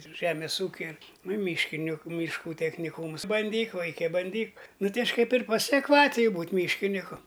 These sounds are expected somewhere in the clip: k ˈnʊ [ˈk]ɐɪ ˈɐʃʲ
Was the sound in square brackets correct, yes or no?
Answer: no